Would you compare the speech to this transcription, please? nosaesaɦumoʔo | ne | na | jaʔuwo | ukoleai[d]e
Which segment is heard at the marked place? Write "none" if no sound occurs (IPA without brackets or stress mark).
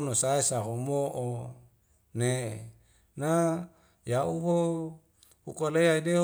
d